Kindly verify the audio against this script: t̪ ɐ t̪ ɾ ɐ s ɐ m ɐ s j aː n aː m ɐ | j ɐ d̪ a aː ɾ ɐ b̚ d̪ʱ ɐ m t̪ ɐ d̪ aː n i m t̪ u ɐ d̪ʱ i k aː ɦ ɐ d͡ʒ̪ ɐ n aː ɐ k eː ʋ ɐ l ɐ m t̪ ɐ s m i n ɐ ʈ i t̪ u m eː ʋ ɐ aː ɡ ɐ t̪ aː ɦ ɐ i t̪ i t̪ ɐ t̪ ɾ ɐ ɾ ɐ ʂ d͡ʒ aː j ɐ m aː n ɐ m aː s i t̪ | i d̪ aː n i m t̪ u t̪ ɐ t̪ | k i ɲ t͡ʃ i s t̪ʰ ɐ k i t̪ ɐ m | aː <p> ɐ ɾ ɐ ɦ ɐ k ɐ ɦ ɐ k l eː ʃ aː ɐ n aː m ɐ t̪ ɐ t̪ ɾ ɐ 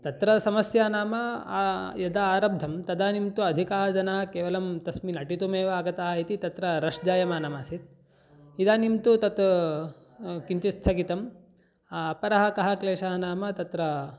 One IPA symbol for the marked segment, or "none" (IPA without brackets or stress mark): p